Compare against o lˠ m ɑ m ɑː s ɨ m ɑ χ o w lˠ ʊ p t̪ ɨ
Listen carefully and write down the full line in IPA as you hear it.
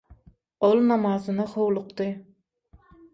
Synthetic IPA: o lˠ n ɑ m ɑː z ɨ n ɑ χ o w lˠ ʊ q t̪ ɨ